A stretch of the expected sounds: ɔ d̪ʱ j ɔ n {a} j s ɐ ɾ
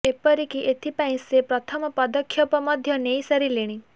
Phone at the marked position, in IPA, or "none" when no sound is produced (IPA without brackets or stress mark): e